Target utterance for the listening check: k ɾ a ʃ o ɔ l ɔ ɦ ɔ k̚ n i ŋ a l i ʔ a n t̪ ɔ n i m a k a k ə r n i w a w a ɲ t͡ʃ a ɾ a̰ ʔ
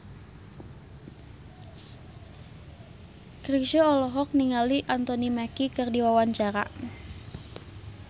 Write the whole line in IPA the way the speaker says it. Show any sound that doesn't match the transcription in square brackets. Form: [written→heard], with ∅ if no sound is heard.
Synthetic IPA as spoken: k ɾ [a→i] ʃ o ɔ l ɔ ɦ ɔ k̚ n i ŋ a l i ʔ a n t̪ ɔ n i m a k [a→i] k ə r [n→d] i w a w a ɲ t͡ʃ a ɾ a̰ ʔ